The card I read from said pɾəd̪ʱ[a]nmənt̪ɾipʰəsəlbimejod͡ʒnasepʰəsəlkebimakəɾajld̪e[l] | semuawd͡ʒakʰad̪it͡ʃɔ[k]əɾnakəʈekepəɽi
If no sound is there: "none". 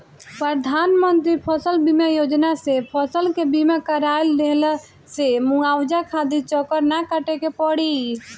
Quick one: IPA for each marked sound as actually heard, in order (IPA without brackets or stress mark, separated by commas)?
a, l, k